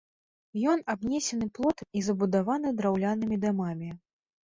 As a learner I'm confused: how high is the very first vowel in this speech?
mid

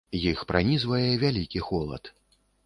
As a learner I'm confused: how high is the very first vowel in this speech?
high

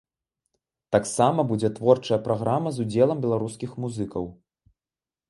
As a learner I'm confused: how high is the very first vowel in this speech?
low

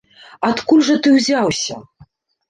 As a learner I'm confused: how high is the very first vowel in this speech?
low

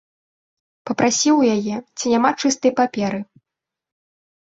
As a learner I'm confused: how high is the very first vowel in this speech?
low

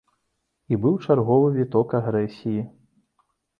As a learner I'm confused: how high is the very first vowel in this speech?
high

